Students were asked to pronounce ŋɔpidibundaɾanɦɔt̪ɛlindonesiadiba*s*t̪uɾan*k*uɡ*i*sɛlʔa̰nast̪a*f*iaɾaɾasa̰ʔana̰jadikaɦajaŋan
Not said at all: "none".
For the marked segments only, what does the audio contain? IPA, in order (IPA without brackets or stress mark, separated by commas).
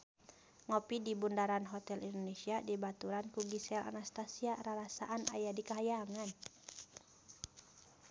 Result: none, k, i, s